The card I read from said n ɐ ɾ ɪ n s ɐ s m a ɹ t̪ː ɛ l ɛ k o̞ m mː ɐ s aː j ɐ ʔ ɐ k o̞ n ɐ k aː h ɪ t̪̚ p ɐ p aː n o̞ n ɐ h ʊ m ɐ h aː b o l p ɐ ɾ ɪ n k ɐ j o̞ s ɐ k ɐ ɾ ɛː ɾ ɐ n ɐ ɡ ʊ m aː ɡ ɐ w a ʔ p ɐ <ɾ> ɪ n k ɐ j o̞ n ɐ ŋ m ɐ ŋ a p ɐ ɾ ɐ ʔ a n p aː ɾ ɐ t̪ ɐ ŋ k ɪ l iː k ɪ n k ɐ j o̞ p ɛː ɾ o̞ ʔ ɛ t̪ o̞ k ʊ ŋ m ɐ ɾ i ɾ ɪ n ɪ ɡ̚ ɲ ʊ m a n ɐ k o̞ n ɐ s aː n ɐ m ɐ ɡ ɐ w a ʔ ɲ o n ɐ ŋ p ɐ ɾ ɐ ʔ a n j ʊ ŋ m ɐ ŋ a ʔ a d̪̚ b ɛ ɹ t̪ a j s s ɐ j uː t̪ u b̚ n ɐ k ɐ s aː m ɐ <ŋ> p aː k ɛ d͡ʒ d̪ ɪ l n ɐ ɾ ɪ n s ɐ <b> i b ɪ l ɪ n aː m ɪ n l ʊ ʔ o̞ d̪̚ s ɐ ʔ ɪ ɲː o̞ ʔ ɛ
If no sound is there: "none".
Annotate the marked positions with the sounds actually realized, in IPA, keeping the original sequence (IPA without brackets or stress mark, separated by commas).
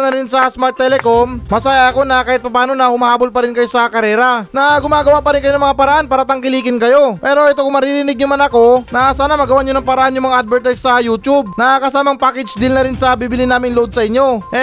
ɾ, ŋ, b